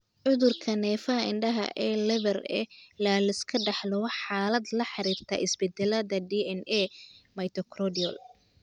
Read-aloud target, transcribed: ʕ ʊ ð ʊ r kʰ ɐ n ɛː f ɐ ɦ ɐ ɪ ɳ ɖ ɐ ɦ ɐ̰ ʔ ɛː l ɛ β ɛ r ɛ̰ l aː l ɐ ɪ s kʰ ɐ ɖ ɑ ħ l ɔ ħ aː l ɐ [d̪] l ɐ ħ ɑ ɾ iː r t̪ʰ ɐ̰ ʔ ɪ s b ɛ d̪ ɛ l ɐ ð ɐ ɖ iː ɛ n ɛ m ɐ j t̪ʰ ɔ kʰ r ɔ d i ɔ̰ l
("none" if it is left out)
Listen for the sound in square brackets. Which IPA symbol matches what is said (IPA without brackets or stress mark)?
d̪